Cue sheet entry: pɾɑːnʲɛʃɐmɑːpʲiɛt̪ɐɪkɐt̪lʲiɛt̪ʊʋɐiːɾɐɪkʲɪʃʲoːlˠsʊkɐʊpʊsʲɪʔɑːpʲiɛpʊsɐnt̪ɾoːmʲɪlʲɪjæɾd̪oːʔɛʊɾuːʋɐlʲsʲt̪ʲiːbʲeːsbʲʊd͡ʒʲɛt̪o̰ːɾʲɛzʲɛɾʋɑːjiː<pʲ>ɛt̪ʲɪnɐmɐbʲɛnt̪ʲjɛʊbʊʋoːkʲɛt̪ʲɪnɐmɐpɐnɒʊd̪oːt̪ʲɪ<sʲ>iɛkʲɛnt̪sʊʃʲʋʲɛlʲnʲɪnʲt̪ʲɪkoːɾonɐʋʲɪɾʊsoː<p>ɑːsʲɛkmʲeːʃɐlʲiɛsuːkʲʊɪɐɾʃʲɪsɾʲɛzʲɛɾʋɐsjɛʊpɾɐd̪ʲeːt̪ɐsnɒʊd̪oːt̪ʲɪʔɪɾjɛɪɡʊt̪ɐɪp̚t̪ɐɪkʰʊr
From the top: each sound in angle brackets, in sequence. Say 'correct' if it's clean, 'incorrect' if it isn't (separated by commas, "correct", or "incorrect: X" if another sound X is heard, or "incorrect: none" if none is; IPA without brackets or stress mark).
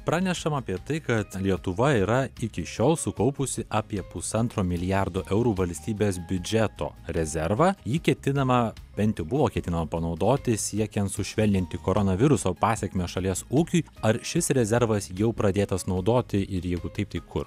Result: incorrect: kʲ, correct, correct